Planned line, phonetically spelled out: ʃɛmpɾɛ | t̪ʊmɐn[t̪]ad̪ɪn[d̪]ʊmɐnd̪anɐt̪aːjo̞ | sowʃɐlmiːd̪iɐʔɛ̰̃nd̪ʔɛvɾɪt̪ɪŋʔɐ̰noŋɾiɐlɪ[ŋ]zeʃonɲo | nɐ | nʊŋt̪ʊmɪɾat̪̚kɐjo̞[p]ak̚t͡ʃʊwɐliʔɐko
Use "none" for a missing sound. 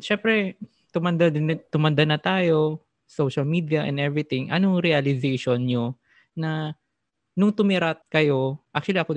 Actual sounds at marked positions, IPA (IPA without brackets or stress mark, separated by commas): d̪, t̪, none, ʔ